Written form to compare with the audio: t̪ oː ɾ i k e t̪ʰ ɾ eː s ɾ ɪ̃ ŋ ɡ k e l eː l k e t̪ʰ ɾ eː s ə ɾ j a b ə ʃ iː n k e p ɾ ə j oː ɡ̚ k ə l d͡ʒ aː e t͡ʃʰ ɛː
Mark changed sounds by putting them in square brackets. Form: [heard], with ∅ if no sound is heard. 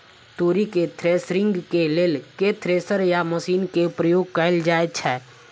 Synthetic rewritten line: t̪ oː ɾ i k e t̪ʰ ɾ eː s ɾ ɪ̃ ŋ ɡ k e l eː l k e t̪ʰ ɾ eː s ə ɾ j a [m] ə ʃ iː n k e p ɾ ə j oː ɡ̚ k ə l d͡ʒ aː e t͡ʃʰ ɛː